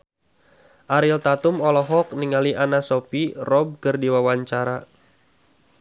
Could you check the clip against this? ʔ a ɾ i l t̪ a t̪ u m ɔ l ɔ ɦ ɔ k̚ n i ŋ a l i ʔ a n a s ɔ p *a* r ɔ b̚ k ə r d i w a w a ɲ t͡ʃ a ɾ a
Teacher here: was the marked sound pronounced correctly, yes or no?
no